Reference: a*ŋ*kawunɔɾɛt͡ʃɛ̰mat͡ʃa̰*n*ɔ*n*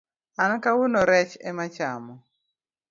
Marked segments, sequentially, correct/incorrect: incorrect: n, incorrect: m, incorrect: none

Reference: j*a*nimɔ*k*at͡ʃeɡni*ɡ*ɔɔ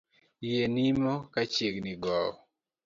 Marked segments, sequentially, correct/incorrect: incorrect: e, correct, correct

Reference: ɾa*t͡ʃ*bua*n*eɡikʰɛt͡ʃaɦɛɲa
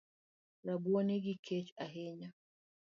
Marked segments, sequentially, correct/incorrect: incorrect: none, correct

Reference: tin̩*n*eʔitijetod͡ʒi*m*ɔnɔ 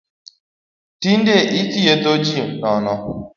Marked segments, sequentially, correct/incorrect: incorrect: d, incorrect: n

